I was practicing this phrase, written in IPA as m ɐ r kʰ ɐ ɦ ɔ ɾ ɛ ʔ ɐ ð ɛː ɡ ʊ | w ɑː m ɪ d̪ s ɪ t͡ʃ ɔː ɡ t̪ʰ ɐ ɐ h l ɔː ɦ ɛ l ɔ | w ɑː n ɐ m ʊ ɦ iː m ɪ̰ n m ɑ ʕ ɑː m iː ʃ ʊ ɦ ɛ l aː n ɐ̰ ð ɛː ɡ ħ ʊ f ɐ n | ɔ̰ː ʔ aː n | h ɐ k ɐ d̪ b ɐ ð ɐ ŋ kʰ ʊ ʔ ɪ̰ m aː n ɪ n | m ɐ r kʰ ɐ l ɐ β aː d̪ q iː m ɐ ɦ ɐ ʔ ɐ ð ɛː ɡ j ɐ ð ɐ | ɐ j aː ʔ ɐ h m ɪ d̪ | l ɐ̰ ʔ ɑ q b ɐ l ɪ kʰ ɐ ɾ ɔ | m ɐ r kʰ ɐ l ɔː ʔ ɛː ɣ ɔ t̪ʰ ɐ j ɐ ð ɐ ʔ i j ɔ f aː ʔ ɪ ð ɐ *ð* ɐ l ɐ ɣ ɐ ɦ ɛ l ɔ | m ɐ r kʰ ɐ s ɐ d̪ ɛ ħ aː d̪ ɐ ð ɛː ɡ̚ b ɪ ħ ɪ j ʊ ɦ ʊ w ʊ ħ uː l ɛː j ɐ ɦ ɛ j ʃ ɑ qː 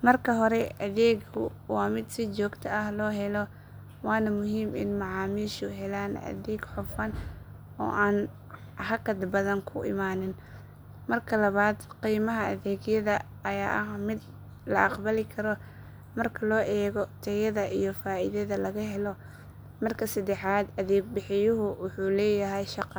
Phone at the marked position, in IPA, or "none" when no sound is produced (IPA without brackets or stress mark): ð